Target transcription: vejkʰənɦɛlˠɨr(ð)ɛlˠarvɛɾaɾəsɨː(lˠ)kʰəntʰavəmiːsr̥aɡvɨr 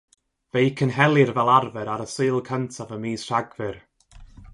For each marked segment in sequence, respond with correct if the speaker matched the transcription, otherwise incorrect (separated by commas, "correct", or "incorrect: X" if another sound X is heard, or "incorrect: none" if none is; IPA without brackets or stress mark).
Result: incorrect: v, correct